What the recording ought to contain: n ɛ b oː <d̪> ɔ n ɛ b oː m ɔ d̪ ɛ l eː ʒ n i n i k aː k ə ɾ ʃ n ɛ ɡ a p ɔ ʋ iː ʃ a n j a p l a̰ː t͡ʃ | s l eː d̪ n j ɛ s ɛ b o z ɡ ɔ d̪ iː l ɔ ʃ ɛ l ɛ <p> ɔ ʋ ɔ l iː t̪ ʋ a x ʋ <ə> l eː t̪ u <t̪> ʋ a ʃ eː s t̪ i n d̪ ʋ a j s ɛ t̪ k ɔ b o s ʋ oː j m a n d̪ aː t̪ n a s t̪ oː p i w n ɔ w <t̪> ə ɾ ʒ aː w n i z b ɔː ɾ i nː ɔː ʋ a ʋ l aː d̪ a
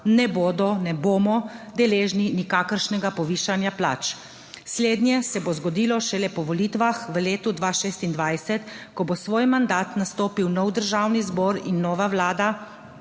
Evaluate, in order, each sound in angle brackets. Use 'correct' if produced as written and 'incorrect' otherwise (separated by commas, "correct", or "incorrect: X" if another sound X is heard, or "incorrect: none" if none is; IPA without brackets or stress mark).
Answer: correct, correct, correct, incorrect: d̪, incorrect: d̪